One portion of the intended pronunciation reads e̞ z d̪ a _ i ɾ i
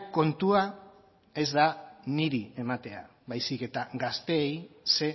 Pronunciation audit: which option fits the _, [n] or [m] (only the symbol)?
n